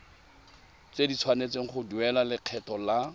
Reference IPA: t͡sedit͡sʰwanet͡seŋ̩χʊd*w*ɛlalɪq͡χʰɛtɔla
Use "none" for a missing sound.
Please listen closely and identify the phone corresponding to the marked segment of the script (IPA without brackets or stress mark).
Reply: u